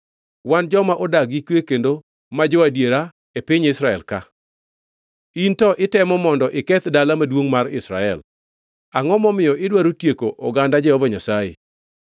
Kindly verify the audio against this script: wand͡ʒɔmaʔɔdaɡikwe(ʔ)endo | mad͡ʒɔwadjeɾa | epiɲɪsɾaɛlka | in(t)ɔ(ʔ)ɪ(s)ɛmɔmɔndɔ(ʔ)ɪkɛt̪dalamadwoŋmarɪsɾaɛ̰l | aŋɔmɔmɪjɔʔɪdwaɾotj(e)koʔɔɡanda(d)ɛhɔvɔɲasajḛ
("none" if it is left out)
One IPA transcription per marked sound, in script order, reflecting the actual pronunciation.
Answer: k, t, ʔ, t, ʔ, e, d͡ʒ

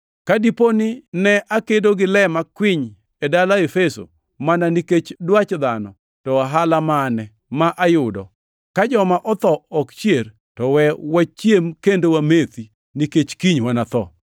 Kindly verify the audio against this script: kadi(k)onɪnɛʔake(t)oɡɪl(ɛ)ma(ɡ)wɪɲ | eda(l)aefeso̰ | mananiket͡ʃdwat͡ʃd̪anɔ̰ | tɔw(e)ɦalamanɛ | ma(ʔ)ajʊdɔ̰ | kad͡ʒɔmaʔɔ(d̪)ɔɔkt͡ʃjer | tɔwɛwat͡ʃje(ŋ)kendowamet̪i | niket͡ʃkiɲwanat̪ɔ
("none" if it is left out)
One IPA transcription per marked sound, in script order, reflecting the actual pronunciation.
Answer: p, d, ɛ, k, l, a, ʔ, t̪, m

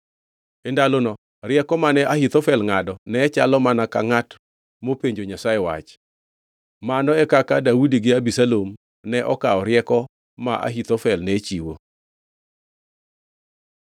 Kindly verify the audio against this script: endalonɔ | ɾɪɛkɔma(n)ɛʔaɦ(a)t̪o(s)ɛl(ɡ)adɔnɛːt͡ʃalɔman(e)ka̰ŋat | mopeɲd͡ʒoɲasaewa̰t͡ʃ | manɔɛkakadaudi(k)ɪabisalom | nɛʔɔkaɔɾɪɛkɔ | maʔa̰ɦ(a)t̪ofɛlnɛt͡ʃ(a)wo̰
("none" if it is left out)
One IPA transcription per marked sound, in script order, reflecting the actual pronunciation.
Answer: n, i, f, ŋ, a, ɡ, i, i

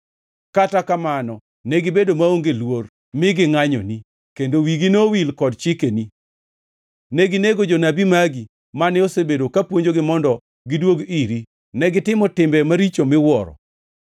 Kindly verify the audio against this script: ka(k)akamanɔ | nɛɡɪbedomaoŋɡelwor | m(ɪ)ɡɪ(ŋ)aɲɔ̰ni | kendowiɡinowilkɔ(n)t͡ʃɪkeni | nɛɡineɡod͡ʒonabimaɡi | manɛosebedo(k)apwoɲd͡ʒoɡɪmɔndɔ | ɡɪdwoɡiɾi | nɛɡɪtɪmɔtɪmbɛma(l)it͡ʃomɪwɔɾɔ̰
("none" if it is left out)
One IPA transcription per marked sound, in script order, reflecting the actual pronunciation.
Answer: t, ɪ, ŋ, d, k, ɾ

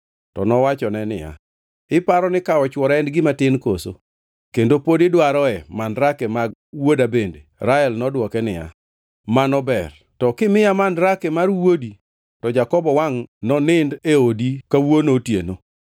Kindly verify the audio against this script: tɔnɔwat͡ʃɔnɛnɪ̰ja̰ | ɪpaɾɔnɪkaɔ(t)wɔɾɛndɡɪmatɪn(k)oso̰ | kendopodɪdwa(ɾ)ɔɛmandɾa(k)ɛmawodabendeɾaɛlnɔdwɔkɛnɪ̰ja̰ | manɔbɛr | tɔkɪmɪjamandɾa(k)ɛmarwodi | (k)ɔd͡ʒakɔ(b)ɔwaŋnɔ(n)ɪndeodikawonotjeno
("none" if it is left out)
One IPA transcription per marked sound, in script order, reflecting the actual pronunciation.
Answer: t͡ʃ, k, ɾ, k, k, t, b, n

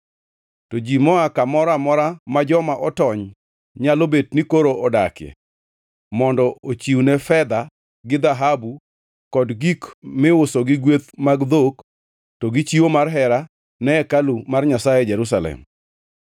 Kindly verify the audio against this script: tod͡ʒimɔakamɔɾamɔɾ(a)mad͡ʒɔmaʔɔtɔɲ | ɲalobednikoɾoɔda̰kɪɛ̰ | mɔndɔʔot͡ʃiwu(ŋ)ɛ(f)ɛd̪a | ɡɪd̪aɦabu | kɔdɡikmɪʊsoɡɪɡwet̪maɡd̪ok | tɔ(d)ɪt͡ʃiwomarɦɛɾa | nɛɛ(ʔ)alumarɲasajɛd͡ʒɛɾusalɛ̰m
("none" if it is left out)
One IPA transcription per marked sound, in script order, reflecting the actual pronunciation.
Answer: a, n, f, ɡ, k

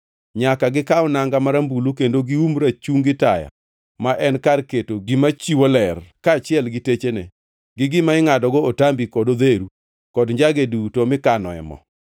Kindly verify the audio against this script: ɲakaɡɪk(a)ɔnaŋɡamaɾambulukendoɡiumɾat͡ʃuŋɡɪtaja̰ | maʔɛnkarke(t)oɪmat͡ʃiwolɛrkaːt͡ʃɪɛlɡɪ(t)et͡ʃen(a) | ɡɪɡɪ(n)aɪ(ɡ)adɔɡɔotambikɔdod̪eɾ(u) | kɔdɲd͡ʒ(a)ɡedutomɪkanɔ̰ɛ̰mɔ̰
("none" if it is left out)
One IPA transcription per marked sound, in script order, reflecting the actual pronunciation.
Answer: a, t, t, ɛ, m, ŋ, u, a

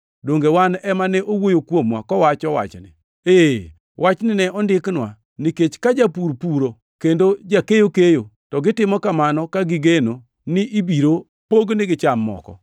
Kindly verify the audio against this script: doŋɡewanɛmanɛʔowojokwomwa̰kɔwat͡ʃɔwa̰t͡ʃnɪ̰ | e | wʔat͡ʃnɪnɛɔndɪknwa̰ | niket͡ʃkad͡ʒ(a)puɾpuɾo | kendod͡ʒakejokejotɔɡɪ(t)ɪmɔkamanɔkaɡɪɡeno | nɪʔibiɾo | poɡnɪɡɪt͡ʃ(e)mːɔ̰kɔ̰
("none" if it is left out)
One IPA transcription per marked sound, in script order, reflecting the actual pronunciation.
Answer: a, t, a

